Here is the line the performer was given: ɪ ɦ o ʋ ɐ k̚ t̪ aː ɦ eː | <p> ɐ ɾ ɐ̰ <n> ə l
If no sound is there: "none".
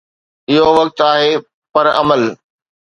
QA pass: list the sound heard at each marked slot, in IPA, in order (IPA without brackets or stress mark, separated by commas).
p, m